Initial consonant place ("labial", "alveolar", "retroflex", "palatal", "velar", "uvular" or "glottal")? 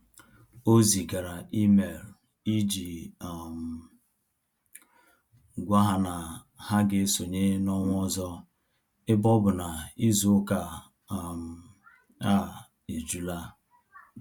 alveolar